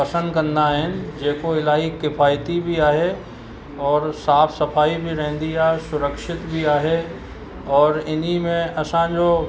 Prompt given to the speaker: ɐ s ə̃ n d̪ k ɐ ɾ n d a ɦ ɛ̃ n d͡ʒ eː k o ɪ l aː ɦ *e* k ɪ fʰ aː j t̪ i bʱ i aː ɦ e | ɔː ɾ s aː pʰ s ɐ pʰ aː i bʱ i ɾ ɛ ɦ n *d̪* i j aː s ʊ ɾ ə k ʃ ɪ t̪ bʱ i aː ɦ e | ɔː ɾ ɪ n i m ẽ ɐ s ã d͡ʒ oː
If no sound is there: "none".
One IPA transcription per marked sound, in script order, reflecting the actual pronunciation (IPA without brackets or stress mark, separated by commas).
i, d̪